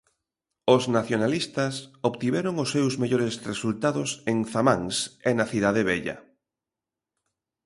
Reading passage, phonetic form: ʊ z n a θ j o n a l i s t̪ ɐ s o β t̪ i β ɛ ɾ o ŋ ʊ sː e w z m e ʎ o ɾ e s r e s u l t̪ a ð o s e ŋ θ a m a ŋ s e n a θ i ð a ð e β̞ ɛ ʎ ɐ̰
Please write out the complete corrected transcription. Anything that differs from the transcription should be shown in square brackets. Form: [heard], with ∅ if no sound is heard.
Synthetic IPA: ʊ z n a θ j o n a l i s t̪ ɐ s o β t̪ i β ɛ ɾ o ŋ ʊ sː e w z m e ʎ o ɾ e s r e s u l t̪ a ð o s e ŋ θ a m a ŋ s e n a θ i ð a ð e β̞ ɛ ʎ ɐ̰